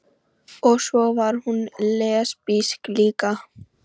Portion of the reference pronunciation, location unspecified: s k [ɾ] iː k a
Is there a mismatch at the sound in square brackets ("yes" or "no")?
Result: yes